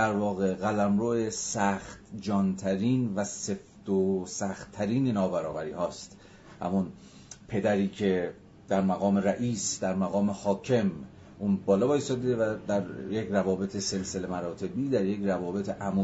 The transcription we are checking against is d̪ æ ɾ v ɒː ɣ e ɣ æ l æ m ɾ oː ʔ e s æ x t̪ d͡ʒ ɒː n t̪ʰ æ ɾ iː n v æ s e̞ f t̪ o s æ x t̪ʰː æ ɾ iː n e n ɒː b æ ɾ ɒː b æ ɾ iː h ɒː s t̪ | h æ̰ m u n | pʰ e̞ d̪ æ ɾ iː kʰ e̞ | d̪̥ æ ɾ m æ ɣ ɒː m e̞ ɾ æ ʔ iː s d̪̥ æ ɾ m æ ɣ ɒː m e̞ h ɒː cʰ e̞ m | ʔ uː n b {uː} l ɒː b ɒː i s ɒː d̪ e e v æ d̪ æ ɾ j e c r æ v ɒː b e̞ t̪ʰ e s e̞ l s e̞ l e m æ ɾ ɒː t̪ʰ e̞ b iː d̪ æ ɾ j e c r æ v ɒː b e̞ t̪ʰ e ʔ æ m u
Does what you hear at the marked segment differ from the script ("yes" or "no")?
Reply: yes